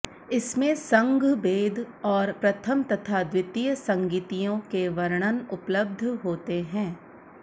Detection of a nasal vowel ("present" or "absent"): present